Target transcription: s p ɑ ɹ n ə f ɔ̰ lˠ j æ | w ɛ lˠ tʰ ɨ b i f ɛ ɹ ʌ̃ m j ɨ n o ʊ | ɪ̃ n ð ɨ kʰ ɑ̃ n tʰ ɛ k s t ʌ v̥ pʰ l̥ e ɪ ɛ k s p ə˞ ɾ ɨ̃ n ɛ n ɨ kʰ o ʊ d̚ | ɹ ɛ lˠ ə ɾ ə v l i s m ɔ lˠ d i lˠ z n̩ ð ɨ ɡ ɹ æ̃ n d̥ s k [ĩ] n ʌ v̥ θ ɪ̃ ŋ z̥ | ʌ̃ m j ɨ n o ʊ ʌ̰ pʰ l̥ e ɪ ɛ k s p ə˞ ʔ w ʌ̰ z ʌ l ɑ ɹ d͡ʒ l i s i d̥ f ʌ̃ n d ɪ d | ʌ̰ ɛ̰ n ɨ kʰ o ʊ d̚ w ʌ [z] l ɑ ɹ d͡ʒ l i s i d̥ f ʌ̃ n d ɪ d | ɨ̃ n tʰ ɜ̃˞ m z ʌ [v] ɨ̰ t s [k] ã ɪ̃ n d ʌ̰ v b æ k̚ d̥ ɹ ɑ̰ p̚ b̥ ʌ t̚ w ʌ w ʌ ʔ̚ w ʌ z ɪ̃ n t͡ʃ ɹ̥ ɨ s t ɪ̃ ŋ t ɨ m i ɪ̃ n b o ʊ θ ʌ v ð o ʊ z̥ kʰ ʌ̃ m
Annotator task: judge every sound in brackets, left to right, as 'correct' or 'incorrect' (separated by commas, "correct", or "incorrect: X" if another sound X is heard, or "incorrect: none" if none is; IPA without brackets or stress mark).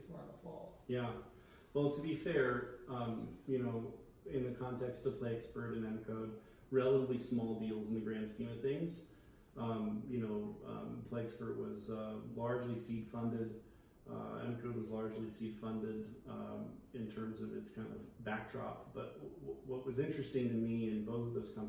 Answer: correct, correct, correct, incorrect: kʰ